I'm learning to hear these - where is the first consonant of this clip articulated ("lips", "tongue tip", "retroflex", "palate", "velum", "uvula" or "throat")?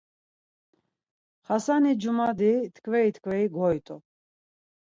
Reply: uvula